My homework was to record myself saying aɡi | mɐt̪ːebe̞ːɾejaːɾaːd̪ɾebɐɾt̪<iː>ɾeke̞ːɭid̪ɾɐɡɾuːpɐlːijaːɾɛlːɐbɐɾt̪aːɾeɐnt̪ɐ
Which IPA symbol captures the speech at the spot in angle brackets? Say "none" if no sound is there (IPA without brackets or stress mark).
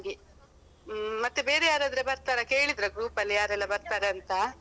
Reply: aː